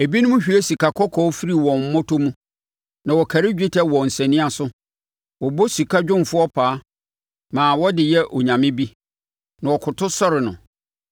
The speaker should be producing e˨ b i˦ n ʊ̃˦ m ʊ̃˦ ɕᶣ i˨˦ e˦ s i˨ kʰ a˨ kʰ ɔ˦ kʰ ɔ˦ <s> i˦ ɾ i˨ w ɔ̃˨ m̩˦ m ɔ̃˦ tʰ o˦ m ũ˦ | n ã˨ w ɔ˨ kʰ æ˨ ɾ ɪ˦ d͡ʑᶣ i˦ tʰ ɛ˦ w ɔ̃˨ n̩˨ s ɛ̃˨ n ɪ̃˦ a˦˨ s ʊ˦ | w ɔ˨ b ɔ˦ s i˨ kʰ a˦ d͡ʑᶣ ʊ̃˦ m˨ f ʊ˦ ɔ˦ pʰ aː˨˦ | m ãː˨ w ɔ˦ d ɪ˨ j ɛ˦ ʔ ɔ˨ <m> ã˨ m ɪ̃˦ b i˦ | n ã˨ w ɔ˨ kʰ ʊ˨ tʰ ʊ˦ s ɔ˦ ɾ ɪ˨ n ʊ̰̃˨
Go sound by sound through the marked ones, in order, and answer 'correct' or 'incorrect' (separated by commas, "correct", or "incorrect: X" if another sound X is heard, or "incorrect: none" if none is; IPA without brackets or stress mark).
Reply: incorrect: f, incorrect: ɲ